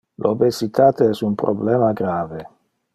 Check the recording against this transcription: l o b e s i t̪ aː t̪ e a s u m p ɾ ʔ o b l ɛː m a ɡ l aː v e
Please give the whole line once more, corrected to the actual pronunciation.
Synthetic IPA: l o b e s i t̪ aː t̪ e ɛ s u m p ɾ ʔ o b l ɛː m a ɡ ɾ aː v e